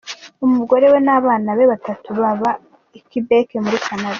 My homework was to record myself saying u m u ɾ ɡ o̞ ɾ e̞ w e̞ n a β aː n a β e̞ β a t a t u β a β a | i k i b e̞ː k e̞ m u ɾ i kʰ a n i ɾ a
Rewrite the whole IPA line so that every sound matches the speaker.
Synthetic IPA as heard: u m u ɡ o̞ ɾ e̞ w e̞ n a β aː n a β e̞ β a t a t u β a β a | i k i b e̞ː k e̞ m u ɾ i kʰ a n a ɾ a